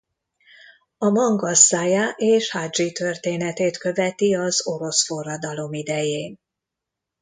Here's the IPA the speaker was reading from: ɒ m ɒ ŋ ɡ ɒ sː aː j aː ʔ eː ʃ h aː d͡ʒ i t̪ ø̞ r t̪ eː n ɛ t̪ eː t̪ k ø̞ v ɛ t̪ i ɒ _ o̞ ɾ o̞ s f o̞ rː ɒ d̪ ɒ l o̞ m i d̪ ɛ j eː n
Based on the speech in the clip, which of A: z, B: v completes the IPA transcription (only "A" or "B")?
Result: A